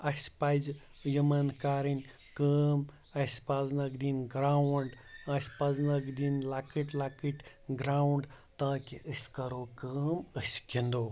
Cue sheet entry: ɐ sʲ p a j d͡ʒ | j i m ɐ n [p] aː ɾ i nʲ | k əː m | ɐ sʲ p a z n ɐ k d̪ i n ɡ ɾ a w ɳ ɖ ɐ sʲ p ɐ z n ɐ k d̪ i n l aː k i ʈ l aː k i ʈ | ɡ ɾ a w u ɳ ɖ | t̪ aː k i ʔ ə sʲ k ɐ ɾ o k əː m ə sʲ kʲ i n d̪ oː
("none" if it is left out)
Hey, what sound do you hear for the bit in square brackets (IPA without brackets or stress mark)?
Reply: k